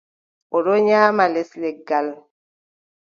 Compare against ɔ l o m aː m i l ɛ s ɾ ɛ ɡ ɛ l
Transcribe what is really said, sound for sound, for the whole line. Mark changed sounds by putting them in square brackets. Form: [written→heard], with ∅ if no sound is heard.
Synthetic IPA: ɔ [l→ɾ] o [m→ɲ] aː m [i→a] l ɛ s [ɾ→l] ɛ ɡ [ɛ→a] l